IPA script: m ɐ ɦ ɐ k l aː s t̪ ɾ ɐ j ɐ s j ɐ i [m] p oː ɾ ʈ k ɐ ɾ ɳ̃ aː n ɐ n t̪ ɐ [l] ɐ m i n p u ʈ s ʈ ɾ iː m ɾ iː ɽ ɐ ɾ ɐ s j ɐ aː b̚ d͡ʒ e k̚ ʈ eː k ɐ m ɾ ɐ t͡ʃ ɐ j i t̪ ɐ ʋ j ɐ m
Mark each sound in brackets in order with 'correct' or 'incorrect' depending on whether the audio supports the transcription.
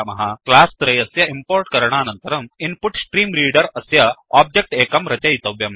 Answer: correct, incorrect

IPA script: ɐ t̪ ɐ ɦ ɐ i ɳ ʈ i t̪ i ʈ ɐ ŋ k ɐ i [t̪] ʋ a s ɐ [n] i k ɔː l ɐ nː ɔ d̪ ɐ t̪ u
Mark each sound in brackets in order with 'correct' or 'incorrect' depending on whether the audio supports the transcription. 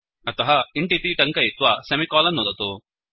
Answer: correct, incorrect

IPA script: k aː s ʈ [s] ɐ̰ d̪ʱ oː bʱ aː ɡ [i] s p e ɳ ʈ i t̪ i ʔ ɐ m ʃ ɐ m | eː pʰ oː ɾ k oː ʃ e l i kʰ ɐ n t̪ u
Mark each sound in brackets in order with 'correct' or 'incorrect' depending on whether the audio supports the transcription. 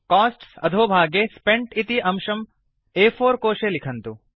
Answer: correct, incorrect

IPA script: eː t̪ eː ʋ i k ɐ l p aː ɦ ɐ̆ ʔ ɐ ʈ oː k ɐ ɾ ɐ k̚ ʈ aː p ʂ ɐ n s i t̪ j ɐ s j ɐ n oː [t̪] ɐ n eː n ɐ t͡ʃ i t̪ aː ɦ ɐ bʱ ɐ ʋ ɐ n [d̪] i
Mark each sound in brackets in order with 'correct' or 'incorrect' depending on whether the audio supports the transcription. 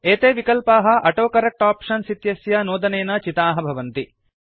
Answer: incorrect, incorrect

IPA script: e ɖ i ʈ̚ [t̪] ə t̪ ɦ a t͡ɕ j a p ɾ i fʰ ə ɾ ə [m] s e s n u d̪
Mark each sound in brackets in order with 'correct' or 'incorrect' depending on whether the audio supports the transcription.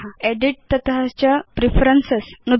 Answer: correct, incorrect

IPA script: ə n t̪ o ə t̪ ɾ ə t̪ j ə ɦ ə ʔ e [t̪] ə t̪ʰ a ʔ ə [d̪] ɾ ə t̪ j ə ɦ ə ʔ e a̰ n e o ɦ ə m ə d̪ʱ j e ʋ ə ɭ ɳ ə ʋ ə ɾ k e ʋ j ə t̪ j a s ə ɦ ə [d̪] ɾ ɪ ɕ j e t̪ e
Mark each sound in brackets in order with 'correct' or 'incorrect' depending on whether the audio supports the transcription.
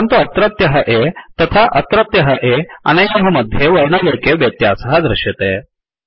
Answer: correct, incorrect, correct

